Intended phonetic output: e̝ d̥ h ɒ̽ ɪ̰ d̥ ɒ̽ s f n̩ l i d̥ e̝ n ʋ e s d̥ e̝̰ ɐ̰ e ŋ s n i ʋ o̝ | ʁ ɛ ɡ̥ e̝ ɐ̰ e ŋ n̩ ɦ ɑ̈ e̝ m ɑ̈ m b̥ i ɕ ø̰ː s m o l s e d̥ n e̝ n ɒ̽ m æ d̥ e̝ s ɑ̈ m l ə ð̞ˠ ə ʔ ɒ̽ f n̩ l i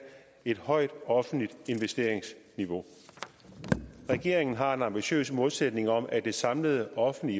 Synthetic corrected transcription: e̝ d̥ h ɒ̽ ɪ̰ d̥ ɒ̽ f n̩ l i d̥ e̝ n ʋ e s d̥ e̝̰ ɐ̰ e ŋ s n i ʋ o̝ | ʁ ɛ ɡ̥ e̝ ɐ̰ e ŋ n̩ ɦ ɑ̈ e̝ n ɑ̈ m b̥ i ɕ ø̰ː s m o l s e d̥ n e̝ ŋ ɒ̽ m æ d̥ e̝ s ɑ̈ m l ə ð̞ˠ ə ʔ ɒ̽ f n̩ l i